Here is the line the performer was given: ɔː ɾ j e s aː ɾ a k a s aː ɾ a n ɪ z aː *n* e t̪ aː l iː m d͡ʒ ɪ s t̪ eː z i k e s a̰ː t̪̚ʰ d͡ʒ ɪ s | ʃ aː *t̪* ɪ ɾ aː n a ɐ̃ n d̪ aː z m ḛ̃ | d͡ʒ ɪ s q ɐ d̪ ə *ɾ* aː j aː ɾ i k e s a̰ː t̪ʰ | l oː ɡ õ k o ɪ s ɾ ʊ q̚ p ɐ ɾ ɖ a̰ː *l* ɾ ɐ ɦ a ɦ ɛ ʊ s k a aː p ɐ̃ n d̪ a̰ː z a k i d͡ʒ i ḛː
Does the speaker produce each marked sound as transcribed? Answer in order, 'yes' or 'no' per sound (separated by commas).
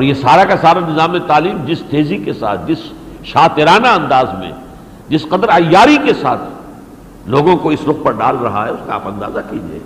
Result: no, yes, yes, yes